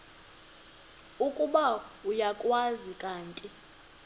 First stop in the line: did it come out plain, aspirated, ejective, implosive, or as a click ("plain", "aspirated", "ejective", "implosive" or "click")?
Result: ejective